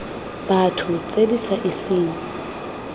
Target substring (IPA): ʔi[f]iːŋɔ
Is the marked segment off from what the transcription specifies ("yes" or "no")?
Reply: yes